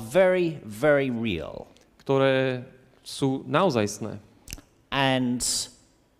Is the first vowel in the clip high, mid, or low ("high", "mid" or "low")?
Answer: mid